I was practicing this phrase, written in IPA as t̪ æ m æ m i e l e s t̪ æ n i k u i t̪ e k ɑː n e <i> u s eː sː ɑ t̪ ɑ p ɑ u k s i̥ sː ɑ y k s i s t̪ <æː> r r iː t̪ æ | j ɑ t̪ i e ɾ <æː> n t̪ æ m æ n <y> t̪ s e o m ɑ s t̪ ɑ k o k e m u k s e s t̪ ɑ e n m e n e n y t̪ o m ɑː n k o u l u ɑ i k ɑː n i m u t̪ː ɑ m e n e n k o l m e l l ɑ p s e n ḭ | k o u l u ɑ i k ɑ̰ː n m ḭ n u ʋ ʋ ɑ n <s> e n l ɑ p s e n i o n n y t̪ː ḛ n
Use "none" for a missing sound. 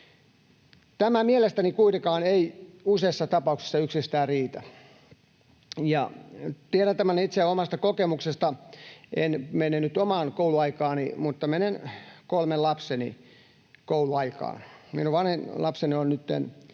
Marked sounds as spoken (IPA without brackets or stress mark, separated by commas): i, æː, æ, i, h